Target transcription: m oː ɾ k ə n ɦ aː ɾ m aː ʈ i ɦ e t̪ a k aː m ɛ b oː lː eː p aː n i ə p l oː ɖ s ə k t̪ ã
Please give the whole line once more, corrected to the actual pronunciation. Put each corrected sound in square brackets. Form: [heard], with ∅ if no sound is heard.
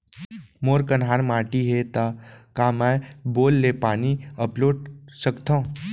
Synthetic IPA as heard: m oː ɾ k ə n ɦ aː ɾ m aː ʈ i ɦ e t̪ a k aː m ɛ b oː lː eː p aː n i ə p l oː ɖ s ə k t̪ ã